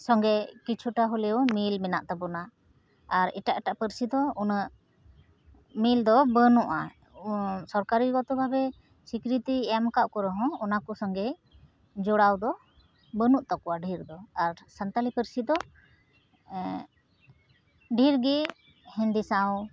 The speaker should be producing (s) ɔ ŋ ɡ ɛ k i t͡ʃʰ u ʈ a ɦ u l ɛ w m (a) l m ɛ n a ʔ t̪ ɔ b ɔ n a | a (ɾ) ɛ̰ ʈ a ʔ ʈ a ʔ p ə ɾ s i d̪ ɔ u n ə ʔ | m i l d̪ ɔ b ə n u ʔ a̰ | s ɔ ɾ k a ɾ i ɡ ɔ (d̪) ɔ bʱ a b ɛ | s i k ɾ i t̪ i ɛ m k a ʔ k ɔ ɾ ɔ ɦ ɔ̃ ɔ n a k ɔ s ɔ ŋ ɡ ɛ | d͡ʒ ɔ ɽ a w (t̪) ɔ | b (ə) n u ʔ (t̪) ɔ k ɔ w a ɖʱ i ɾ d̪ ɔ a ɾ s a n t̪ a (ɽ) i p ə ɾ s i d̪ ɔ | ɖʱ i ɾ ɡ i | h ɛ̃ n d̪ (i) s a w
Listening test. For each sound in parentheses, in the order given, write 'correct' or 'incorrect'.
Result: correct, incorrect: i, correct, incorrect: t̪, incorrect: d̪, correct, correct, incorrect: l, correct

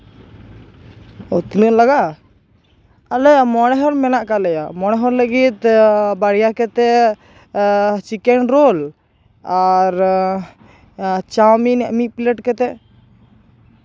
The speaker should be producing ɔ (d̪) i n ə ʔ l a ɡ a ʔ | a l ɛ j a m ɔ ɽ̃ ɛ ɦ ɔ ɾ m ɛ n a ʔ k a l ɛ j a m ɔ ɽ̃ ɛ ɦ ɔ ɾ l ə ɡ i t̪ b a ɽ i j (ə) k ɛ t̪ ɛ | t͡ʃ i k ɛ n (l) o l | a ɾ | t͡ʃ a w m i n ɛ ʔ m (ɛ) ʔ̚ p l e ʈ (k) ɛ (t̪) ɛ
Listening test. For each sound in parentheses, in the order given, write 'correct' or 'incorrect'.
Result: incorrect: t̪, incorrect: a, incorrect: ɾ, incorrect: i, correct, correct

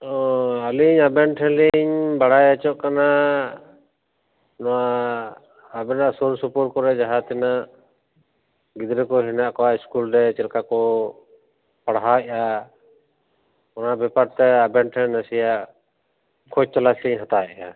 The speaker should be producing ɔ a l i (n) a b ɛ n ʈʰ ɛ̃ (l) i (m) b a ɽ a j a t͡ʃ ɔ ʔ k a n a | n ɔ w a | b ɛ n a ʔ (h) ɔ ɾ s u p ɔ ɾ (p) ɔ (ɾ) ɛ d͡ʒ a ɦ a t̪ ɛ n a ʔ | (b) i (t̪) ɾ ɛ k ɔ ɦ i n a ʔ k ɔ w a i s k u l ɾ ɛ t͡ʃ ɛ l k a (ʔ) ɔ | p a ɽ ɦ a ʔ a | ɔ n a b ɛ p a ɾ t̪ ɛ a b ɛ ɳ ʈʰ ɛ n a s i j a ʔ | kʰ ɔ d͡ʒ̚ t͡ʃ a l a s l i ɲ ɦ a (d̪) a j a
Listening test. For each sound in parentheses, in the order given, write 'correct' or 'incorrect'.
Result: incorrect: ɲ, correct, incorrect: ɲ, incorrect: s, incorrect: k, correct, incorrect: ɡ, incorrect: d̪, incorrect: k, incorrect: t̪

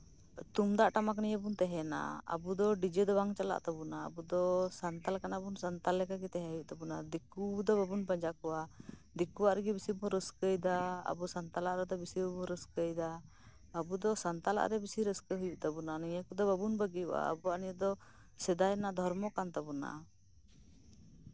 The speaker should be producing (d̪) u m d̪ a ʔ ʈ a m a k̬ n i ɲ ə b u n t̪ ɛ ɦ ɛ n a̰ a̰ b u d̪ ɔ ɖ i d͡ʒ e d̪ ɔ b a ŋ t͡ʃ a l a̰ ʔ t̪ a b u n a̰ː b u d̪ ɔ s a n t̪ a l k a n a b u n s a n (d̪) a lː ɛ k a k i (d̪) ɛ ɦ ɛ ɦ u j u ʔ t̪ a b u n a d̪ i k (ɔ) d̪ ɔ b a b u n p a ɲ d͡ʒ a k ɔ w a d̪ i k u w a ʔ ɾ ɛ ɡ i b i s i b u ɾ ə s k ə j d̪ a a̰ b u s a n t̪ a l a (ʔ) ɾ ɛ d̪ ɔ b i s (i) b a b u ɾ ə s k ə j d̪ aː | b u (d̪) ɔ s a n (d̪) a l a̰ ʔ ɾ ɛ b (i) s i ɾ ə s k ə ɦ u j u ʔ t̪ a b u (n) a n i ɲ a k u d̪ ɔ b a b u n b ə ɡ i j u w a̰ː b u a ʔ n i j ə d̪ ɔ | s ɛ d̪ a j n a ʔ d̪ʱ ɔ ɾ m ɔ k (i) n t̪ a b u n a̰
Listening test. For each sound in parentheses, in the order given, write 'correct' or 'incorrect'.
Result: incorrect: t̪, incorrect: t̪, incorrect: t̪, incorrect: u, correct, correct, correct, incorrect: t̪, correct, correct, incorrect: a

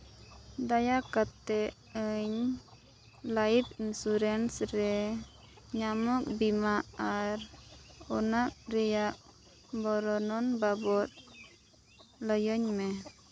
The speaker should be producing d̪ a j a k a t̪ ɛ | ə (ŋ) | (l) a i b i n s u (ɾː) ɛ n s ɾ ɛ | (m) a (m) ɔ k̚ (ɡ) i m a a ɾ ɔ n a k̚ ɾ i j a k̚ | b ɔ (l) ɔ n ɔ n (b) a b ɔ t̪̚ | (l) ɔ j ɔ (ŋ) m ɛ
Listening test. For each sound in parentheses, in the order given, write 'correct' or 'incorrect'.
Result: incorrect: ɲ, correct, incorrect: ɾ, incorrect: ɲ, correct, incorrect: b, incorrect: ɾ, correct, correct, incorrect: ɲ

